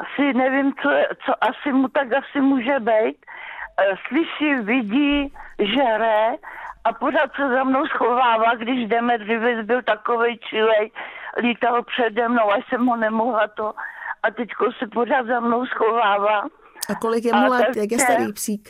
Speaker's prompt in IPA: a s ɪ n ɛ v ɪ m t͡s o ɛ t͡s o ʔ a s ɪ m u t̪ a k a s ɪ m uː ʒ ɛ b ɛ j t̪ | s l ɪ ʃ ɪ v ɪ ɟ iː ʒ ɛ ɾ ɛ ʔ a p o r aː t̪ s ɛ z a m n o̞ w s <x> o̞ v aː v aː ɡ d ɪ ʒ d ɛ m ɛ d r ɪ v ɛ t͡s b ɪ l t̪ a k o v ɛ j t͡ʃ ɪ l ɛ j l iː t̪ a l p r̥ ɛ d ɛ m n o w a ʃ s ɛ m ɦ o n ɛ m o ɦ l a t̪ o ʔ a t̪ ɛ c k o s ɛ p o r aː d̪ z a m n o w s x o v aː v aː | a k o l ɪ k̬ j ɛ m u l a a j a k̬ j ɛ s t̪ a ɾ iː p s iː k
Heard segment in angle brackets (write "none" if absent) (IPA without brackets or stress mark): x